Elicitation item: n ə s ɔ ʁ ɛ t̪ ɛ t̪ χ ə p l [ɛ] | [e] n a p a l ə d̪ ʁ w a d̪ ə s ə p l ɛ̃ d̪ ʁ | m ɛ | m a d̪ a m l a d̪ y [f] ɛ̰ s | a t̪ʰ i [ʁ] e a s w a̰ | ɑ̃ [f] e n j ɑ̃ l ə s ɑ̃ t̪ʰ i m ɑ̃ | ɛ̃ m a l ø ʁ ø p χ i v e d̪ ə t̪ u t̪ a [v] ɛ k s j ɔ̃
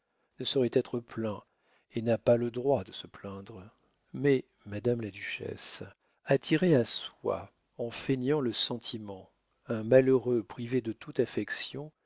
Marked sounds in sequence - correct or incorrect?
incorrect, correct, incorrect, correct, correct, incorrect

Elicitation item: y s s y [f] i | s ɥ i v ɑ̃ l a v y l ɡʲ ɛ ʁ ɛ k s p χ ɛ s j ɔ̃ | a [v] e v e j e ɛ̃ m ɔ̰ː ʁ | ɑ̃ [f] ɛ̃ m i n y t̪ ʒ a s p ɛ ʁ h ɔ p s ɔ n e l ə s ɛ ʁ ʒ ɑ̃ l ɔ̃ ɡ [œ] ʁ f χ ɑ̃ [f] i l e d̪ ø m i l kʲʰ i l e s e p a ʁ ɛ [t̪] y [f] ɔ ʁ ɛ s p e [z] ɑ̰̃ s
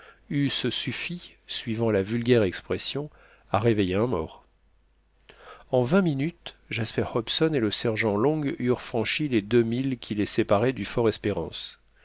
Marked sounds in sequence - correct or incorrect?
correct, incorrect, incorrect, incorrect, incorrect, incorrect, correct, incorrect

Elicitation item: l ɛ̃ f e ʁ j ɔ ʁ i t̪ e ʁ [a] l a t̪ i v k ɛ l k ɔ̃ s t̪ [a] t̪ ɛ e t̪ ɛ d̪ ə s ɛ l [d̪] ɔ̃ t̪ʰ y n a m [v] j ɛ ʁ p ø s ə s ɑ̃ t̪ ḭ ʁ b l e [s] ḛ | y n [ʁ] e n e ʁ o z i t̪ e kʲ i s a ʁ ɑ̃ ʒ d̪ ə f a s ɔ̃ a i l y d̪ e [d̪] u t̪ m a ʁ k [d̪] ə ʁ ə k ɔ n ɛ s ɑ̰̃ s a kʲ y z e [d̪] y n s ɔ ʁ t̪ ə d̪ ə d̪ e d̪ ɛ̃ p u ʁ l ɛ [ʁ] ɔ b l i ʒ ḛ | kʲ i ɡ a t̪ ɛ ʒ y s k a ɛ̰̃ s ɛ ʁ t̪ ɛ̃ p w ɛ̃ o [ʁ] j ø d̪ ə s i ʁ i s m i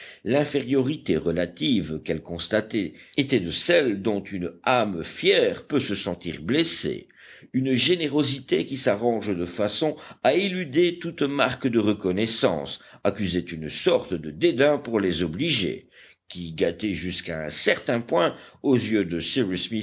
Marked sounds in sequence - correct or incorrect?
incorrect, correct, correct, incorrect, correct, incorrect, incorrect, correct, incorrect, incorrect, incorrect

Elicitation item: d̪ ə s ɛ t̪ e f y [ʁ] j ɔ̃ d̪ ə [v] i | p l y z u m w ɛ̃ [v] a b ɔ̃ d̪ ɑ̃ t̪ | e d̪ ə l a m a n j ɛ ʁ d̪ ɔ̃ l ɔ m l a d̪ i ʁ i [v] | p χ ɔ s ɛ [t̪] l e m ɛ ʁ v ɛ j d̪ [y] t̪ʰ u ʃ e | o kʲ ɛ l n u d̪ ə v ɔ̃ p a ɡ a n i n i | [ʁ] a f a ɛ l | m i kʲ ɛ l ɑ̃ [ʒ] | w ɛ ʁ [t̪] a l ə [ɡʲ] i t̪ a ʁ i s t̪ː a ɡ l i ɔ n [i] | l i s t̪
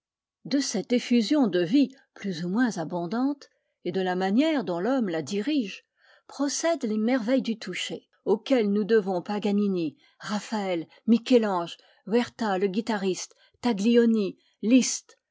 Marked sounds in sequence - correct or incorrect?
incorrect, correct, incorrect, incorrect, incorrect, correct, correct, correct, correct, correct, correct

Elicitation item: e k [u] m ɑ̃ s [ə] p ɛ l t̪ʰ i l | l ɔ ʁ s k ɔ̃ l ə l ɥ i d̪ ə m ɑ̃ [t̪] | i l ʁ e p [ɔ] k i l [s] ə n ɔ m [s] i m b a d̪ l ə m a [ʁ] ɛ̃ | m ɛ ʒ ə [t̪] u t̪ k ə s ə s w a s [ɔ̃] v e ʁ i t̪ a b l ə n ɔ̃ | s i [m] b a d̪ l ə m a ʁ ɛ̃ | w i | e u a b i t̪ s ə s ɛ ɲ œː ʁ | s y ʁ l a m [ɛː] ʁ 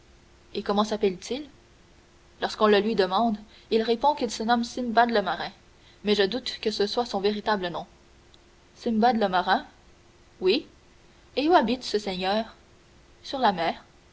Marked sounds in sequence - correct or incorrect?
incorrect, incorrect, incorrect, incorrect, correct, correct, correct, incorrect, correct, correct, correct

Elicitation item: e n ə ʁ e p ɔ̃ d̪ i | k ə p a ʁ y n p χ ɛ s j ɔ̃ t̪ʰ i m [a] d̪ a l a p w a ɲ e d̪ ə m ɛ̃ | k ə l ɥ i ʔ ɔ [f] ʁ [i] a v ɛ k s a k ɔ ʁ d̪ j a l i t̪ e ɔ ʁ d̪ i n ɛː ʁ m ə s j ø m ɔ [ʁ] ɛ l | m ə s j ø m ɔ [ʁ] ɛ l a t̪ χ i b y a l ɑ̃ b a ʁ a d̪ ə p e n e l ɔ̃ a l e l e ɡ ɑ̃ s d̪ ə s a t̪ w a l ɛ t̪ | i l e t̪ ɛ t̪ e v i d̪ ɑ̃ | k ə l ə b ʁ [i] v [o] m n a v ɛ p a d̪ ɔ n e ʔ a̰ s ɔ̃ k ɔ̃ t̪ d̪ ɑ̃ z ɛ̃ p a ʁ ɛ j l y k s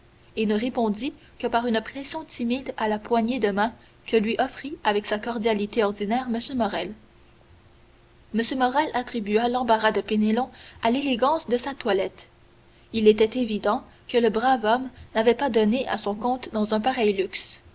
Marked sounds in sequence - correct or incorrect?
incorrect, correct, correct, correct, correct, incorrect, incorrect

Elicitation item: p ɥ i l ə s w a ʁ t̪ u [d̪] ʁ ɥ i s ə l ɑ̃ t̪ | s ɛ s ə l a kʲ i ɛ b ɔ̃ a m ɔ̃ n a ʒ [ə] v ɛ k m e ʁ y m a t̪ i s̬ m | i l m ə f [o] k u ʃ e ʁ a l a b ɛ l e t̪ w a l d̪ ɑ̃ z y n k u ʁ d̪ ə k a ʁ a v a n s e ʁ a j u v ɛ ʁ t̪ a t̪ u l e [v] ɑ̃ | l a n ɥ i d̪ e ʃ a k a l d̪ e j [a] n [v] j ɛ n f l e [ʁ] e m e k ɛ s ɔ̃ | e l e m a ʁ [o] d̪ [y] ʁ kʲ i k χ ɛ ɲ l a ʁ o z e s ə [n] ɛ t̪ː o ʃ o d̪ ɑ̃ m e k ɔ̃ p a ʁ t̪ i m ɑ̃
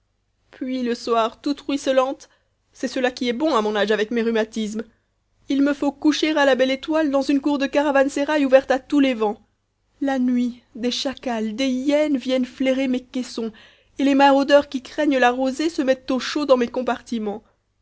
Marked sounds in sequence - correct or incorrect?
incorrect, incorrect, correct, correct, incorrect, correct, correct, correct, incorrect, incorrect

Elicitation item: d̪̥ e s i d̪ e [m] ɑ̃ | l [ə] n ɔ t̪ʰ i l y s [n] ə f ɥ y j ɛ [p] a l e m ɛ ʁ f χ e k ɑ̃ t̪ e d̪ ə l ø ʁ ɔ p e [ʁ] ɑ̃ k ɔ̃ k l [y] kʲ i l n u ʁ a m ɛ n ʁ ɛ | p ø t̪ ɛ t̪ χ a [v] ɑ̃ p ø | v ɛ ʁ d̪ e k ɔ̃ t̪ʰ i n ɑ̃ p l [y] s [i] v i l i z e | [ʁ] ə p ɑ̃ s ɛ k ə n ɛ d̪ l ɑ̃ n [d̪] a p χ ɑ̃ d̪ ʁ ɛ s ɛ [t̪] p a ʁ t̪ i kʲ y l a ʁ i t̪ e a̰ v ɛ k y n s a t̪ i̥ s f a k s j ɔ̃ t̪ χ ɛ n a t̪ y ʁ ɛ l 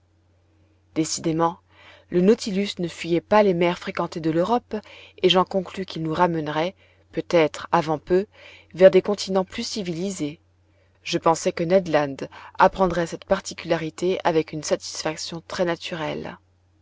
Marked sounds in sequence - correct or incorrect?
correct, correct, correct, correct, incorrect, correct, correct, correct, correct, incorrect, correct, correct

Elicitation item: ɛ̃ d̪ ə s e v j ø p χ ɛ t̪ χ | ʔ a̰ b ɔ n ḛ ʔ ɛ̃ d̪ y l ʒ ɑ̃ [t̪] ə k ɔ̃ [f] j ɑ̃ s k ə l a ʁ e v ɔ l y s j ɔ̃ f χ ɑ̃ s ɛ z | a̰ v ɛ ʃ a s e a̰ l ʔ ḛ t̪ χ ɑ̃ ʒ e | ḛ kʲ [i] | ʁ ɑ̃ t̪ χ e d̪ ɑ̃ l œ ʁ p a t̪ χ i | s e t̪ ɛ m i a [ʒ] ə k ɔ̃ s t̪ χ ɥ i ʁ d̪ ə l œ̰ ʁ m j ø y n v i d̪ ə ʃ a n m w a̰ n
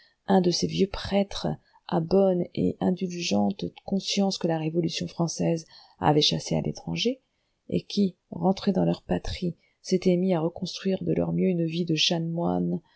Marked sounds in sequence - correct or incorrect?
correct, incorrect, correct, incorrect

